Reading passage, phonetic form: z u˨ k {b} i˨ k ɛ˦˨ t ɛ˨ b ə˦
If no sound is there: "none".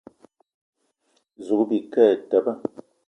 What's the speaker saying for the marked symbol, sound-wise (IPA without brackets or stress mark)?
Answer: b